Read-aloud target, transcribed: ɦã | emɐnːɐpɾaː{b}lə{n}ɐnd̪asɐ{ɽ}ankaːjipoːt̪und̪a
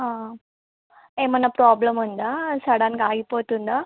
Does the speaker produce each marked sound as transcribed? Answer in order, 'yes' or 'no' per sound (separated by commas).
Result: yes, no, yes